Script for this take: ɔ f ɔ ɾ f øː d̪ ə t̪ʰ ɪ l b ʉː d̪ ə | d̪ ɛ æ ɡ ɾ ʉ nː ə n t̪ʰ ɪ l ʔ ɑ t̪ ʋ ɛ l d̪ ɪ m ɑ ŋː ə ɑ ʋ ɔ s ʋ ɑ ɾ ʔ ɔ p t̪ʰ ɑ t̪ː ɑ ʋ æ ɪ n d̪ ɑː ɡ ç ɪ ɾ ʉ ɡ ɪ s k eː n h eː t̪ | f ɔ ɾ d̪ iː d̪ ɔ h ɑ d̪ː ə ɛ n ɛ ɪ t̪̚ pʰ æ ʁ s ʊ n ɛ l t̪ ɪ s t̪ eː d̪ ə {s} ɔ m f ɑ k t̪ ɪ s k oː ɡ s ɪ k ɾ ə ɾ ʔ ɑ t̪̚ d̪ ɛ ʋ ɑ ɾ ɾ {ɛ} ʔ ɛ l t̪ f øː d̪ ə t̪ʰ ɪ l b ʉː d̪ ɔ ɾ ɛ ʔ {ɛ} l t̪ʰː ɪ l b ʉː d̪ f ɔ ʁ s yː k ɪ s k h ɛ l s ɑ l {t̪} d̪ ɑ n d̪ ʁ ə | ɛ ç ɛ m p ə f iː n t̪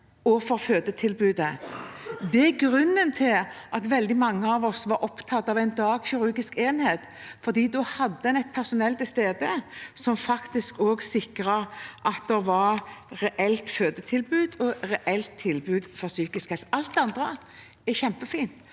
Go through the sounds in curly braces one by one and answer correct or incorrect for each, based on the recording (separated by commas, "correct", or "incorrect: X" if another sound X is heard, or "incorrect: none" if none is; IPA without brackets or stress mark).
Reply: correct, correct, correct, correct